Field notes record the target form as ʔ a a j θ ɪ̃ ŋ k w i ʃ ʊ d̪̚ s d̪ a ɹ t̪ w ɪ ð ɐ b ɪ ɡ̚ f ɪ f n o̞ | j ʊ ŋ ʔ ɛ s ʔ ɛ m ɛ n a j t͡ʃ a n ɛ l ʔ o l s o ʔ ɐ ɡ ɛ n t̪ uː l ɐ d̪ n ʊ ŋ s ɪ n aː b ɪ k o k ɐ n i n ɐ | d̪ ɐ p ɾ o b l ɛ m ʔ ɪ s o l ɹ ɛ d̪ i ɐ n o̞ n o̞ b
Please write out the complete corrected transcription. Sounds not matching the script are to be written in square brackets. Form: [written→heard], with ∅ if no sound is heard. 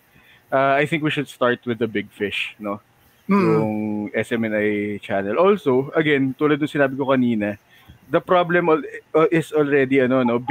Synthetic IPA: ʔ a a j θ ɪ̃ ŋ k w i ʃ ʊ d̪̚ s [d̪→t̪] a ɹ t̪ w ɪ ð ɐ b ɪ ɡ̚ f ɪ [f→ʃ] n o̞ | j ʊ ŋ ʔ ɛ s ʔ ɛ m ɛ n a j t͡ʃ a n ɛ l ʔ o l s o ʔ ɐ ɡ ɛ n t̪ uː l ɐ d̪ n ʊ ŋ s ɪ n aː b ɪ k o k ɐ n [i→iː] n ɐ | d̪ ɐ p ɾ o b l ɛ m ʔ ɪ s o l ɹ ɛ d̪ i ɐ n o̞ n o̞ b